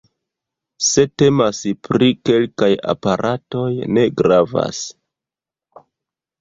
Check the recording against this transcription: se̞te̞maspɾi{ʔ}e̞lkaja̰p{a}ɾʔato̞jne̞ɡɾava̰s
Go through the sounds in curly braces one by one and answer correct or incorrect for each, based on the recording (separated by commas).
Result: incorrect, correct